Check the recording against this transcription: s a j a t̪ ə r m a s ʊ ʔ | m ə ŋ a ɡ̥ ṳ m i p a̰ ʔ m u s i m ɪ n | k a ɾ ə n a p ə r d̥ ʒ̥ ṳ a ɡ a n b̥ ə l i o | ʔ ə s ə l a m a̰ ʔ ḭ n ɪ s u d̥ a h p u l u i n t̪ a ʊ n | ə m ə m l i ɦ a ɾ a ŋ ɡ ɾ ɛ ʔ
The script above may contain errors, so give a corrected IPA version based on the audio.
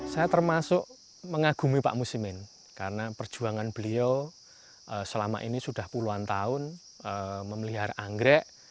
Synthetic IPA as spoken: s a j a t̪ ə r m a s ʊ ʔ | m ə ŋ a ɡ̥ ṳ m i p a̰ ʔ m u s i m ɪ n | k a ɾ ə n a p ə r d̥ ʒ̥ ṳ a ŋ a n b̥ ə l i o | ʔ ə s ə l a m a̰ ʔ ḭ n i s u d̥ a h p u l u a n t̪ a ʊ n | ə m ə m l i ɦ a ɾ a ŋ ɡ ɾ ɛ ʔ